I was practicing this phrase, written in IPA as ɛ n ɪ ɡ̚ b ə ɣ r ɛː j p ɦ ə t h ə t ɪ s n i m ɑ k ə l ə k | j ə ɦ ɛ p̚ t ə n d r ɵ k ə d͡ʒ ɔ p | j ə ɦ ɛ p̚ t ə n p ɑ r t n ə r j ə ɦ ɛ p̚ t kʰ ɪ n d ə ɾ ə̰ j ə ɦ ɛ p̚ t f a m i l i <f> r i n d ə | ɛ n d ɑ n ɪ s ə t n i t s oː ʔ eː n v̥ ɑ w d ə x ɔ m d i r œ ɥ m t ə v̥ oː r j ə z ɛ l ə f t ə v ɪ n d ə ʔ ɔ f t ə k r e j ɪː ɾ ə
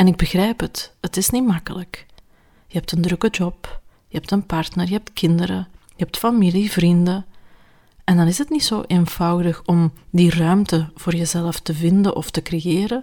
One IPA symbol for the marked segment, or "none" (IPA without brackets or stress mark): v